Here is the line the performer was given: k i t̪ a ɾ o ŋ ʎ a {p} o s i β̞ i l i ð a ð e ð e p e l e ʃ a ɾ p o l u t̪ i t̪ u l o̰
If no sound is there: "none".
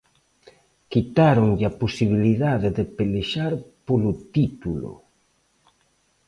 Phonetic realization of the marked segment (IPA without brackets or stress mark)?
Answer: p